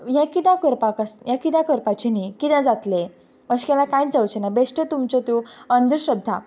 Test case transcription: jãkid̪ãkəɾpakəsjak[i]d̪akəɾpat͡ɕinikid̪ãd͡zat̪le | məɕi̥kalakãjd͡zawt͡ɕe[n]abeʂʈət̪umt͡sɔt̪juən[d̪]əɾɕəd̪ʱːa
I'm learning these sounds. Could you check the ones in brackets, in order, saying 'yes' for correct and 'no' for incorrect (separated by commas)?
yes, yes, yes